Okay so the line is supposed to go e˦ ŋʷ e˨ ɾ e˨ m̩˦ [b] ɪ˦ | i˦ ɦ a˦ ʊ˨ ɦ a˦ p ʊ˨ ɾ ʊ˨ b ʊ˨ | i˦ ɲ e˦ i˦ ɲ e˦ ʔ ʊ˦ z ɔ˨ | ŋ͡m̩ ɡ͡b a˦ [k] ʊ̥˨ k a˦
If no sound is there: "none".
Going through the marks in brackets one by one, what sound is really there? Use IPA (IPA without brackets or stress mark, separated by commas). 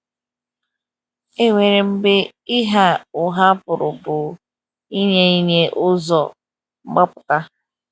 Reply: b, p